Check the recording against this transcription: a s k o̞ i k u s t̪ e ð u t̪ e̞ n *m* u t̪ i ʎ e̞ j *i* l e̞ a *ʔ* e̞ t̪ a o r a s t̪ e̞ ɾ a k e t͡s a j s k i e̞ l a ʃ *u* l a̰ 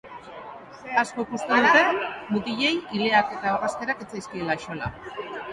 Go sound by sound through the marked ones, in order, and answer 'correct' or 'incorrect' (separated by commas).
correct, correct, incorrect, incorrect